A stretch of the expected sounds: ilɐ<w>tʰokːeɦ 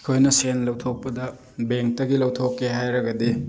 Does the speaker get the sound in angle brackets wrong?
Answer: no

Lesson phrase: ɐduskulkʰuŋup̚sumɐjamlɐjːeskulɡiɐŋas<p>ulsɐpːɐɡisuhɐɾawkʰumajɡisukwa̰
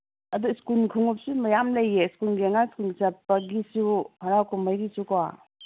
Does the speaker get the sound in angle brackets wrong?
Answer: yes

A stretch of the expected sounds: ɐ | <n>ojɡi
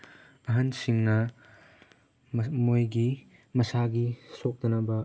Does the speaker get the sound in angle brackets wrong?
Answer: yes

